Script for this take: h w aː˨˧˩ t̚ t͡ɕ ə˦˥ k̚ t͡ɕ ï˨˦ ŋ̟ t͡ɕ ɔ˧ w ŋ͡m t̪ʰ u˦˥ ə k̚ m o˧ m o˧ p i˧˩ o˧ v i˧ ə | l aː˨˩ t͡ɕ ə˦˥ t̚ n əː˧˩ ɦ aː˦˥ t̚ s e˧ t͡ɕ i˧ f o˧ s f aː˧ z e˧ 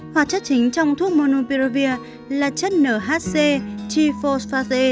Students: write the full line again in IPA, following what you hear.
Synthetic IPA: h w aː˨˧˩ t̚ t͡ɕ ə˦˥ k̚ t͡ɕ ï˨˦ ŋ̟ t͡ɕ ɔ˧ w ŋ͡m t̪ʰ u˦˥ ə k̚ m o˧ n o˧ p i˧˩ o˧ v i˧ ə | l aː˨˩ t͡ɕ ə˦˥ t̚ n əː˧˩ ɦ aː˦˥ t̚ s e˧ t͡ɕ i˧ f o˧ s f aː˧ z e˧